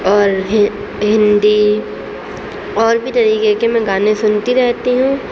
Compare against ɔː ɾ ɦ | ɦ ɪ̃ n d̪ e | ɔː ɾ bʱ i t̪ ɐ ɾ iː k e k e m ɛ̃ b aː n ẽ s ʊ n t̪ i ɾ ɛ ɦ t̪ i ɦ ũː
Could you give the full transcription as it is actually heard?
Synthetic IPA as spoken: ɔː ɾ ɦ | ɦ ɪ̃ n d̪ i | ɔː ɾ bʱ i t̪ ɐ ɾ iː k e k e m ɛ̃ ɡ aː n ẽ s ʊ n t̪ i ɾ ɛ ɦ t̪ i ɦ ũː